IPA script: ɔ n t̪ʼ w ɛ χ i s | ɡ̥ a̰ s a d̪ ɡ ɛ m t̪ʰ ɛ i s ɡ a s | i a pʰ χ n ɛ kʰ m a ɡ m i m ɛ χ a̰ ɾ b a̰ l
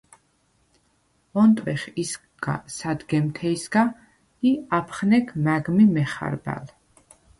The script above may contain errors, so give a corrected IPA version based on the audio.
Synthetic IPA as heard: ɔ n t̪ʼ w ɛ χ i s | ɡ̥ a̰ s a d̪ ɡ ɛ m t̪ʰ ɛ i s ɡ a | i a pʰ χ n ɛ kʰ m a ɡ m i m ɛ χ a̰ ɾ b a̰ l